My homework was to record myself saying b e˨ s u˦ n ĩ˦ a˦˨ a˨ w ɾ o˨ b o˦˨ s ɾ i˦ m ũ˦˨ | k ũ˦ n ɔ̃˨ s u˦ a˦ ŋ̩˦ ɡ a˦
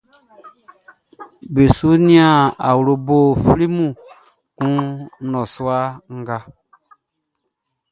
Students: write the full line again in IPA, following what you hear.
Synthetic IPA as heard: b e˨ s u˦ n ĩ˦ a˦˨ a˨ w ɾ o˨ b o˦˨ f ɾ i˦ m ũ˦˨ | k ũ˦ n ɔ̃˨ s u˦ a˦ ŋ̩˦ ɡ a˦

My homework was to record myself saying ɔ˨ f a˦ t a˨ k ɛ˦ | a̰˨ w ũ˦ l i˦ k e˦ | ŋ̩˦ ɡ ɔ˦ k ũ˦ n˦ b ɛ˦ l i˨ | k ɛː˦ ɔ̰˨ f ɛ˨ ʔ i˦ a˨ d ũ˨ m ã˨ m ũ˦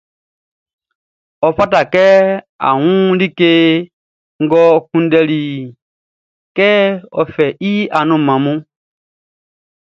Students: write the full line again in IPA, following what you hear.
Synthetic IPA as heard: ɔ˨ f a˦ t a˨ k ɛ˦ | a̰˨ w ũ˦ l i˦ k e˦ | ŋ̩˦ ɡ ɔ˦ k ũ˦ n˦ d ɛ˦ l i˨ | k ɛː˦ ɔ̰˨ f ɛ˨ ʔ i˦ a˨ n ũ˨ m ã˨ m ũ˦

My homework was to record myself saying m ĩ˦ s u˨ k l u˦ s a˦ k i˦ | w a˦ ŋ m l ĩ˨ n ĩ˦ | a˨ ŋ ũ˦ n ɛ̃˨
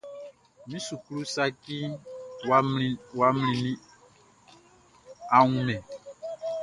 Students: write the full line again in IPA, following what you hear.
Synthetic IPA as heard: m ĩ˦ s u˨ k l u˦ s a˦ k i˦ | w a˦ m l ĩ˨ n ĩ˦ | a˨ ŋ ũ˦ m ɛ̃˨

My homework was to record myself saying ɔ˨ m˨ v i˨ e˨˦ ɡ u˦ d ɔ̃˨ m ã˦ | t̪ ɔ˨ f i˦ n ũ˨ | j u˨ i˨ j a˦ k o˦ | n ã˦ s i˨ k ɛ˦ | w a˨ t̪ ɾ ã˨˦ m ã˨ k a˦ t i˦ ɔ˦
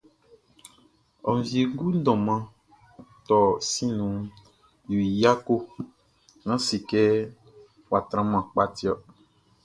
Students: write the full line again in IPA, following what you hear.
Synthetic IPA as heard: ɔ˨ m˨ v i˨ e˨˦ ɡ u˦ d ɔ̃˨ m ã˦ | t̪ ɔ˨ s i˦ n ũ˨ | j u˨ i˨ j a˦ k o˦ | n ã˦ s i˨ k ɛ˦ | w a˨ t̪ ɾ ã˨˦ m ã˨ k͡p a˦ t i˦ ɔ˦

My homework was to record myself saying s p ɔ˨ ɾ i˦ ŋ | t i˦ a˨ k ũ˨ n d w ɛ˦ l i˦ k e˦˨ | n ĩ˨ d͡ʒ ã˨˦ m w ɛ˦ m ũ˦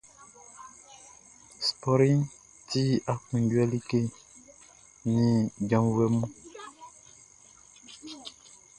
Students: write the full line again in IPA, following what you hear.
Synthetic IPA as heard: s p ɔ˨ ɾ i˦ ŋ | t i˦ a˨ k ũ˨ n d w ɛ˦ l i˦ k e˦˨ | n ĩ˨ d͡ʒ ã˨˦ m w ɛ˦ m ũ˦

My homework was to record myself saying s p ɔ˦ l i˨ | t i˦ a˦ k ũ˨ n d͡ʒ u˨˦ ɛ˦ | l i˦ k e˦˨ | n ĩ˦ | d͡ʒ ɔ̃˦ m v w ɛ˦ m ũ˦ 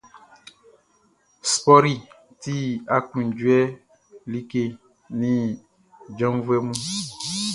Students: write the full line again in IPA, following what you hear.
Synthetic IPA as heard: s p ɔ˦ ɾ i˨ | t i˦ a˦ k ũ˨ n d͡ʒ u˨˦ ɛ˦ | l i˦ k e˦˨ | n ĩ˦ | d͡ʒ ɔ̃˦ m v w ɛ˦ m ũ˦

